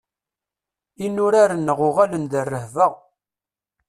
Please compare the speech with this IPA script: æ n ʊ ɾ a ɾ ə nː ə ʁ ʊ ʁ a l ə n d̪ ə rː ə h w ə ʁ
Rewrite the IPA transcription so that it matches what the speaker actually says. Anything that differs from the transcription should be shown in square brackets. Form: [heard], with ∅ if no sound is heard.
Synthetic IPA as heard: [i] n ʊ ɾ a ɾ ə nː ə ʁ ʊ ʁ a l ə n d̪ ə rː ə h [v] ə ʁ